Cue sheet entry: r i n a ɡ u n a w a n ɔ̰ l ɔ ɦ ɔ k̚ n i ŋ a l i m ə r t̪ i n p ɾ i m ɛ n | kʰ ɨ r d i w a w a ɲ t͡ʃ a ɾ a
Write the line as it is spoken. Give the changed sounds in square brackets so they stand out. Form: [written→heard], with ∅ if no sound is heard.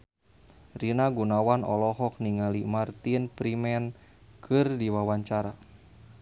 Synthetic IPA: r i n a ɡ u n a w a n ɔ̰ l ɔ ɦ ɔ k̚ n i ŋ a l i m [ə→a] r t̪ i n p ɾ i m ɛ n | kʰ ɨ r d i w a w a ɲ t͡ʃ a ɾ a